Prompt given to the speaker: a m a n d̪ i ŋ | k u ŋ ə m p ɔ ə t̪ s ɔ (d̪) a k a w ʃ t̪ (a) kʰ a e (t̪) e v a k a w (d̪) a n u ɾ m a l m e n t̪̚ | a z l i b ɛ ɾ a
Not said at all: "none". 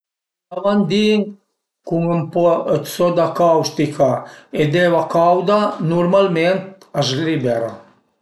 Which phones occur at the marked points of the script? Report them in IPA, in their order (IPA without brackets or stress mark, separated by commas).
d̪, i, d̪, d̪